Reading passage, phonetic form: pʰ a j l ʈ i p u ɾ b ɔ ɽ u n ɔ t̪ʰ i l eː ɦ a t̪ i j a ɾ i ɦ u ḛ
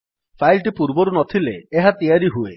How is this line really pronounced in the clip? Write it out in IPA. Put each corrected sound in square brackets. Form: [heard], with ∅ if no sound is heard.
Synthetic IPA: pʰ a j l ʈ i p u ɾ b ɔ [ɾ] u n ɔ t̪ʰ i l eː ɦ a t̪ i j a ɾ i ɦ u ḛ

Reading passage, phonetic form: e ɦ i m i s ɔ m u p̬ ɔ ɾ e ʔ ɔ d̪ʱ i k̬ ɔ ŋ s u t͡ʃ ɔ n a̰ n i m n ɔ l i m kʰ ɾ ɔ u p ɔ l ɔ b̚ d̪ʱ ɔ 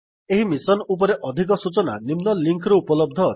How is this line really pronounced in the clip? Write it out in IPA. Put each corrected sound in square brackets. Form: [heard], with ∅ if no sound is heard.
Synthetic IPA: e ɦ i m i s ɔ [n] u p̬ ɔ ɾ e ʔ ɔ d̪ʱ i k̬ ɔ [∅] s u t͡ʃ ɔ n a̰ n i m n ɔ l i [ŋ] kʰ ɾ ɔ u p ɔ l ɔ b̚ d̪ʱ ɔ

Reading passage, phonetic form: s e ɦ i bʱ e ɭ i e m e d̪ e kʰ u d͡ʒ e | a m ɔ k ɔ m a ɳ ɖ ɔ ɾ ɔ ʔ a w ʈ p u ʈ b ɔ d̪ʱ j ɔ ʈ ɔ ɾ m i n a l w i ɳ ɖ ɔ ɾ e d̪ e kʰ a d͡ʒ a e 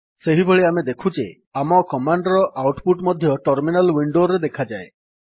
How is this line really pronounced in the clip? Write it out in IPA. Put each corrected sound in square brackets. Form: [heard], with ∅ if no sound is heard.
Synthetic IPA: s e ɦ i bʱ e ɭ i [a] m e d̪ e kʰ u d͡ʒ e | a m ɔ k ɔ m a ɳ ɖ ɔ ɾ ɔ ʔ a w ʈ p u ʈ [m] ɔ d̪ʱ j ɔ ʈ ɔ ɾ m i n a l w i ɳ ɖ [o] ɾ e d̪ e kʰ a d͡ʒ a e

